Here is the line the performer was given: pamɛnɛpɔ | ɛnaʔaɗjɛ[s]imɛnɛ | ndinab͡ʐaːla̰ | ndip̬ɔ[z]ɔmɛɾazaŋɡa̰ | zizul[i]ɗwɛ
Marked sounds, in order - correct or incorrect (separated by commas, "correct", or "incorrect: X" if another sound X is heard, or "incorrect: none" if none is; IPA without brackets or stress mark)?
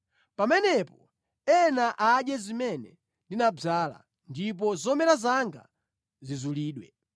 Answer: incorrect: z, correct, incorrect: iː